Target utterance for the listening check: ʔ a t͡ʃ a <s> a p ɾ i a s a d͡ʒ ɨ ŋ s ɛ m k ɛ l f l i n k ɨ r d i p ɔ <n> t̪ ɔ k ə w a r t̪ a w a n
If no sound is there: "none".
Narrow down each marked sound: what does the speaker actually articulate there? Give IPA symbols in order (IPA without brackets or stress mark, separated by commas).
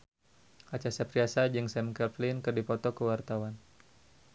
s, none